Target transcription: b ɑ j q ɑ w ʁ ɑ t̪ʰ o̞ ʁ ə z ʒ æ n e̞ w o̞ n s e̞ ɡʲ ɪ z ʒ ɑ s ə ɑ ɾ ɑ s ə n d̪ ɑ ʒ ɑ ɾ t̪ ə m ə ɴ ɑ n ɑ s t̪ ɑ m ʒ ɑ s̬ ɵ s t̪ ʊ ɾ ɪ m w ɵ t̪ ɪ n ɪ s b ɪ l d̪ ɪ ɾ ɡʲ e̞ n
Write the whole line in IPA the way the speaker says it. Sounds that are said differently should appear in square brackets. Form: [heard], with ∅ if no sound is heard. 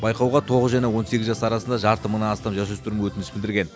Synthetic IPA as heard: b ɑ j q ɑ w ʁ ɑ t̪ʰ o̞ ʁ ə z ʒ æ n e̞ w o̞ n s e̞ ɡʲ ɪ z ʒ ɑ s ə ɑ ɾ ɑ s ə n d̪ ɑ ʒ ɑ ɾ t̪ ə m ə [n] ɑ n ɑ s t̪ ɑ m ʒ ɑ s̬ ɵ s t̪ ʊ ɾ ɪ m w ɵ t̪ ɪ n ɪ s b ɪ l d̪ ɪ ɾ ɡʲ e̞ n